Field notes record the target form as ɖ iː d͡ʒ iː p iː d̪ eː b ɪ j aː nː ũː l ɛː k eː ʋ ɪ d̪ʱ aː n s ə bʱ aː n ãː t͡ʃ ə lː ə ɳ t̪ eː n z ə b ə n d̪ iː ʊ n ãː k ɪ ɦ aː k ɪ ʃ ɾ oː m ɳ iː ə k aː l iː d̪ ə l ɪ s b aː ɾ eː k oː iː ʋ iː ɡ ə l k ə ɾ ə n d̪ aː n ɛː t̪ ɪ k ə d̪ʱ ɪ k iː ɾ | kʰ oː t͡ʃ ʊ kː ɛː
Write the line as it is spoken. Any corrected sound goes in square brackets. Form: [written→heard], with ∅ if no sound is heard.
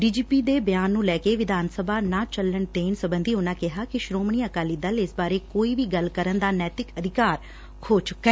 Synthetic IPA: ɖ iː d͡ʒ iː p iː d̪ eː b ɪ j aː nː ũː l ɛː k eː ʋ ɪ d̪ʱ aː n s ə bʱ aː n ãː t͡ʃ ə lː ə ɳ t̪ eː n [z→s] ə b ə n d̪ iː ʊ n ãː k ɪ ɦ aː k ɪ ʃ ɾ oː m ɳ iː ə k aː l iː d̪ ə l ɪ s b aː ɾ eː k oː iː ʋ iː ɡ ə l k ə ɾ ə n d̪ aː n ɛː t̪ ɪ k ə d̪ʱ ɪ k [iː→aː] ɾ | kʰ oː t͡ʃ ʊ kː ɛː